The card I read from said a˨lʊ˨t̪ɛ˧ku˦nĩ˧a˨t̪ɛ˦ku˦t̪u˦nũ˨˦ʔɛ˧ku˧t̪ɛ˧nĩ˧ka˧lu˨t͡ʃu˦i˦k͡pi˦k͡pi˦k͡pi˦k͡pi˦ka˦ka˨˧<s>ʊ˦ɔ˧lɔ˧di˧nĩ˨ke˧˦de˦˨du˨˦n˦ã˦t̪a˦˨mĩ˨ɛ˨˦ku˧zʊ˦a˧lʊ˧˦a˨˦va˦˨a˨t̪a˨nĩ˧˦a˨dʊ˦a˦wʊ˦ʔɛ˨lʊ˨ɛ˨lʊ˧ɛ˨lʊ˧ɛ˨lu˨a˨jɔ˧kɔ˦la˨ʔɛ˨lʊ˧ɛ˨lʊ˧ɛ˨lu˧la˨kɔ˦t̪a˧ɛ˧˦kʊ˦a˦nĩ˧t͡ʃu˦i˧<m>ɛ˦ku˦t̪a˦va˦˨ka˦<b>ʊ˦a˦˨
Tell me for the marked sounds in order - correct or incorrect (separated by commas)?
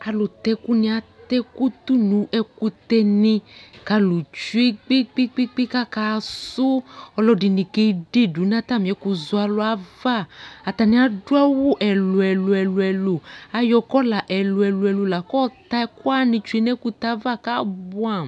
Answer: correct, incorrect, correct